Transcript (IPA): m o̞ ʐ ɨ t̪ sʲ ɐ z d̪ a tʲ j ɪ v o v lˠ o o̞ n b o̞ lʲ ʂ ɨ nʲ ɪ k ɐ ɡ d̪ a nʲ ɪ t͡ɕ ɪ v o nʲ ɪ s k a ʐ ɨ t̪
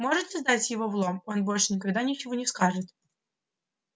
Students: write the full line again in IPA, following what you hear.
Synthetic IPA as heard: m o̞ ʐ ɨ t̪ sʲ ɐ z d̪ a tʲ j ɪ v o v lˠ o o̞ n b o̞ lʲ ʂ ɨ nʲ ɪ k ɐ ɡ d̪ a nʲ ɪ t͡ɕ ɪ v o nʲ ɪ s k a ʐ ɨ t̪

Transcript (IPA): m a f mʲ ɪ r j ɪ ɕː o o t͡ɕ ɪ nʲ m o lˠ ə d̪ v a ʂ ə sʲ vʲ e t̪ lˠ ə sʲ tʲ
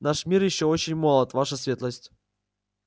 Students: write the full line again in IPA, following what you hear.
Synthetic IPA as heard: n a ʂ mʲ i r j ɪ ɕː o o t͡ɕ ɪ nʲ m o lˠ ə t̪ v a ʂ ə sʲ vʲ e t̪ lˠ ə sʲ tʲ

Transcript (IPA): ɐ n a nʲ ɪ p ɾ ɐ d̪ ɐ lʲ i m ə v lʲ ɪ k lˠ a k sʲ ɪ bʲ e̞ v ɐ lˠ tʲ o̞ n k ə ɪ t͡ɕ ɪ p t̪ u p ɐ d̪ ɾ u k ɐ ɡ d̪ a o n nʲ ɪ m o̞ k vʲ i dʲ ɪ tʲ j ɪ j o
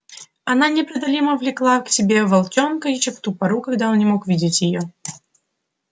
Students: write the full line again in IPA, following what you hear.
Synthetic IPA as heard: ɐ n a nʲ ɪ p ɾ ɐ d̪ ɐ lʲ i m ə v lʲ ɪ k lˠ a k sʲ ɪ bʲ e̞ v ɐ lˠ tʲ o̞ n k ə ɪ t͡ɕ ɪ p t̪ u p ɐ ɾ u k ɐ ɡ d̪ a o n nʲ ɪ m o̞ k vʲ i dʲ ɪ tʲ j ɪ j o

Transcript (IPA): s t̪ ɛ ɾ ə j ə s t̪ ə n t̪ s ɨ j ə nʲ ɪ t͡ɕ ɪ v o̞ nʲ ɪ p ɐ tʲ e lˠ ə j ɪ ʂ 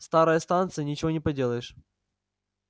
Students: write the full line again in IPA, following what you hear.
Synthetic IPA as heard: s t̪ a ɾ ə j ə s t̪ a n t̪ s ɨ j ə nʲ ɪ t͡ɕ ɪ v o̞ nʲ ɪ p ɐ dʲ e lˠ ə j ɪ ʂ

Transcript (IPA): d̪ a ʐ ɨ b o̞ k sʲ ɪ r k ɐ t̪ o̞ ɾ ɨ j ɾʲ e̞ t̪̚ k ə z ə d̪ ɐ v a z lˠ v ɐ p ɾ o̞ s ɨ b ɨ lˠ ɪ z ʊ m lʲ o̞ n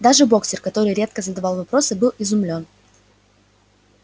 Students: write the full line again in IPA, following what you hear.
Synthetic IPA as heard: d̪ a ʐ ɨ b o̞ k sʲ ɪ r k ɐ t̪ o̞ ɾ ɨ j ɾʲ e̞ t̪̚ k ə z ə d̪ ɐ v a lˠ v ɐ p ɾ o̞ s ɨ b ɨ lˠ ɪ z ʊ m lʲ o̞ n

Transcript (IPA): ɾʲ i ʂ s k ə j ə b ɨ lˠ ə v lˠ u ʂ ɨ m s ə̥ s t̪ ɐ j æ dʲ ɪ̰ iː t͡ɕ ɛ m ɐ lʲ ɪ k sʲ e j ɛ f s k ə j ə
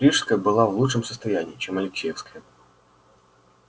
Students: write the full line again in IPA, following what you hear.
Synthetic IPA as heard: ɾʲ i ʂ s k ə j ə b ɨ lˠ a v lˠ u ʂ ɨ m s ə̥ s t̪ ɐ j æ nʲ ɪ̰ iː t͡ɕ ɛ m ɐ lʲ ɪ k sʲ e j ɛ f s k ə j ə

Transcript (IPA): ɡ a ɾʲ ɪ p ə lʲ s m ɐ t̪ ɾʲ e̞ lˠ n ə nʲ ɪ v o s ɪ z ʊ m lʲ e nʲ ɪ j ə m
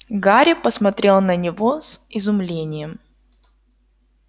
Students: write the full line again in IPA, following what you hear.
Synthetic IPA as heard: ɡ a ɾʲ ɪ p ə s m ɐ t̪ ɾʲ e̞ lˠ n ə nʲ ɪ v o s ɪ z ʊ m lʲ e nʲ ɪ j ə m

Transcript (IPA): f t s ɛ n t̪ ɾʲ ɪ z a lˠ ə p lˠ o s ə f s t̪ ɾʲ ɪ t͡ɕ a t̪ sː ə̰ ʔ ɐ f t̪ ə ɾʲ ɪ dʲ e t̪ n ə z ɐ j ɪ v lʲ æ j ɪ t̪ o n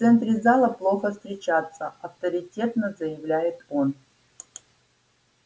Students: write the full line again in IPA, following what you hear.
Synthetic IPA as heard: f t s ɛ n t̪ ɾʲ ɪ z a lˠ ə p lˠ o x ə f s t̪ ɾʲ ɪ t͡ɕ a t̪ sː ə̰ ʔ ɐ f t̪ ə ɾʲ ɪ tʲ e t̪ n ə z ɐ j ɪ v lʲ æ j ɪ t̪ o n

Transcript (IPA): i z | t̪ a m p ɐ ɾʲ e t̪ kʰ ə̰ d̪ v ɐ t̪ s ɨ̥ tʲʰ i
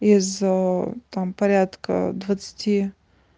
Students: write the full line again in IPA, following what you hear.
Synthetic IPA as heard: i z | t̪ a m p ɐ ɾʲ a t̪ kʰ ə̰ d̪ v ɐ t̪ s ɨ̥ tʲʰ i

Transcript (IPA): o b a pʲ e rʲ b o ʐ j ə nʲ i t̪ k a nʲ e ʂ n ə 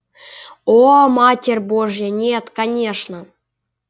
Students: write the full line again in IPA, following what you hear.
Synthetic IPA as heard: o m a tʲ e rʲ b o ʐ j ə nʲ e t̪ k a nʲ e ʂ n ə

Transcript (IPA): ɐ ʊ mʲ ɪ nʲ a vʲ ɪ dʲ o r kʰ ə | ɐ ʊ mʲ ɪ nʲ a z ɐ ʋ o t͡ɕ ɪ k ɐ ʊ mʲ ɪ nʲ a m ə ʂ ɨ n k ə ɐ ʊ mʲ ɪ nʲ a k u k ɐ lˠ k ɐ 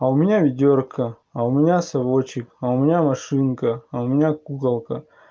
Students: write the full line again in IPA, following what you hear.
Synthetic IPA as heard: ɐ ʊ mʲ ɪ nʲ a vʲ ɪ dʲ o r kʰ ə | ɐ ʊ mʲ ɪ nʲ a s ɐ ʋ o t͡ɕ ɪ k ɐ ʊ mʲ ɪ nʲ a m ɐ ʂ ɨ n k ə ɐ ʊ mʲ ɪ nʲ a k u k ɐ lˠ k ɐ

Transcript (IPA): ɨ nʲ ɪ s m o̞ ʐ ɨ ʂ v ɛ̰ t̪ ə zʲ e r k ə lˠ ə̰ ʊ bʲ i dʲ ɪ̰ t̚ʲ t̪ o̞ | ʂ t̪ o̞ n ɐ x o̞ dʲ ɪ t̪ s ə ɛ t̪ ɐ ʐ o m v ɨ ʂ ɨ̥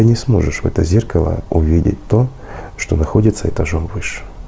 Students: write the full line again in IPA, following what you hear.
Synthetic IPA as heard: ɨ nʲ ɪ s m o̞ ʐ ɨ ʂ v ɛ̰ t̪ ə zʲ e r k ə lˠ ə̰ ʊ vʲ i dʲ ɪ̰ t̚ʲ t̪ o̞ | ʂ t̪ o̞ n ɐ x o̞ dʲ ɪ t̪ s ə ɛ t̪ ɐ ʐ o m v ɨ ʂ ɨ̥

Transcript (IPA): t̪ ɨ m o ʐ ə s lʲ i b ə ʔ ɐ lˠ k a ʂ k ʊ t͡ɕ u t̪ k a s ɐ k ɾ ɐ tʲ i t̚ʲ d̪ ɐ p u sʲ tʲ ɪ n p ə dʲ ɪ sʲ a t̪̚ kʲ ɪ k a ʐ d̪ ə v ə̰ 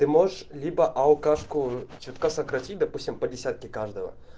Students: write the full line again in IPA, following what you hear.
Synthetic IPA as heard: t̪ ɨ m o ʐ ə ʂ lʲ i b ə ʔ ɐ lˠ k a ʂ k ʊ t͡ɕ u t̪ k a s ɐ k ɾ ɐ tʲ i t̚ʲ d̪ ɐ p u sʲ tʲ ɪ m p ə dʲ ɪ sʲ a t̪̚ kʲ ɪ k a ʐ d̪ ə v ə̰

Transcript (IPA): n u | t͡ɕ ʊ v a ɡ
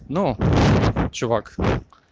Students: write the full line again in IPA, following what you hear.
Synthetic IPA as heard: n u | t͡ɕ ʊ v a k

